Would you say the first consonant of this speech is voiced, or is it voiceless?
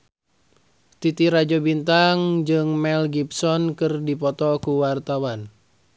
voiceless